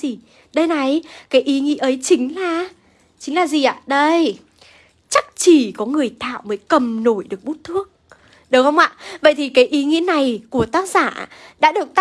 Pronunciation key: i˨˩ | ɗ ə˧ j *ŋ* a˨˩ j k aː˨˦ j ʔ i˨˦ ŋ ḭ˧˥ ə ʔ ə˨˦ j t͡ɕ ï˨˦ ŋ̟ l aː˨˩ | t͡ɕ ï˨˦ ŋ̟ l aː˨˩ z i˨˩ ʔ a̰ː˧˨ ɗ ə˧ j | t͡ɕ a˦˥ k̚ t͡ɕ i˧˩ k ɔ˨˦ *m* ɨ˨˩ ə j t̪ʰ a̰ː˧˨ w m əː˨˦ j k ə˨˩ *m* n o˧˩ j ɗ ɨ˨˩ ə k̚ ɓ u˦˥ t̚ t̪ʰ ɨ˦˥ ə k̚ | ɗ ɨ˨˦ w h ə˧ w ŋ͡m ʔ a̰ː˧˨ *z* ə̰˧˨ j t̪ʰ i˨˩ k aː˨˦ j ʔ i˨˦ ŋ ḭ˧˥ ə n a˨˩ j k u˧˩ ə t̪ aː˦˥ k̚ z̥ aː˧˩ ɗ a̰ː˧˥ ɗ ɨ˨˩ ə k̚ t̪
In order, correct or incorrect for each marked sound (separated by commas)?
incorrect, incorrect, correct, incorrect